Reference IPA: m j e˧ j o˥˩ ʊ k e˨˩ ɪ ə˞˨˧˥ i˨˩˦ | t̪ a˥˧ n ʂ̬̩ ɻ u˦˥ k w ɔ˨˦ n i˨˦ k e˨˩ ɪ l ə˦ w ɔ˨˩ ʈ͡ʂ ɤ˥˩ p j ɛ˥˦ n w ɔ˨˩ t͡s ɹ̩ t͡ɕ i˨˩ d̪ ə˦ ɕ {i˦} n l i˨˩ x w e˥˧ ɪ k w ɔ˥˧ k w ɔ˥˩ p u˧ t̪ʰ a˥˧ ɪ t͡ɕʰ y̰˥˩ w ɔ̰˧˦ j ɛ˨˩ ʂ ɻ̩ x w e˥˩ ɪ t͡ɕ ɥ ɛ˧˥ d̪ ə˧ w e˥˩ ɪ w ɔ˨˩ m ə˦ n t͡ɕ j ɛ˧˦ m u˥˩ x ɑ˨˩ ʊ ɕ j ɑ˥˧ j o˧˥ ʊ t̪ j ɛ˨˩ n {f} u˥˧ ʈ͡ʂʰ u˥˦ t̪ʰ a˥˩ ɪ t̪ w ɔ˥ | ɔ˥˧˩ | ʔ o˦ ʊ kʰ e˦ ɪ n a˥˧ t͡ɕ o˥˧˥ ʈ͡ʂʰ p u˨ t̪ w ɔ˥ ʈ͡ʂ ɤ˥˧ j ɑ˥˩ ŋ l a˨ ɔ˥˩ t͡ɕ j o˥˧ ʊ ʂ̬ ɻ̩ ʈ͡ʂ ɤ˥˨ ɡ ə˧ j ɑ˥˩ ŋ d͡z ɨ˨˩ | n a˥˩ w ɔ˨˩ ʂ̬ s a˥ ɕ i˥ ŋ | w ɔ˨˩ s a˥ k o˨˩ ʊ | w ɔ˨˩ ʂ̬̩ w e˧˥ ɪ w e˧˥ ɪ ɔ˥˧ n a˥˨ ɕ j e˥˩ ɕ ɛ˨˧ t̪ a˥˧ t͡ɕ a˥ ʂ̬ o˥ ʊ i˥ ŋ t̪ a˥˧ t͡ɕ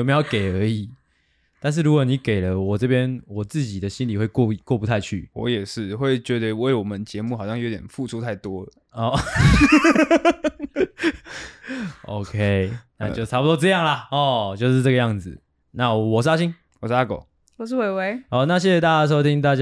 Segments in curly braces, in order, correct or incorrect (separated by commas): correct, correct